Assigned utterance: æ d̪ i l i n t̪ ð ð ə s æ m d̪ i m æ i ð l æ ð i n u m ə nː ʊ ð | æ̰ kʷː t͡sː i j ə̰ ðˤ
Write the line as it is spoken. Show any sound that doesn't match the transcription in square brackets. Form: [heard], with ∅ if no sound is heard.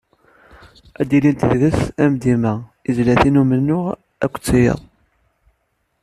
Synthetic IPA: æ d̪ i l i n t̪ ð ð ə s æ m d̪ i m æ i [z] l æ [θ] i n u m ə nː ʊ [ʁ] | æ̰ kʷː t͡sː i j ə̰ ðˤ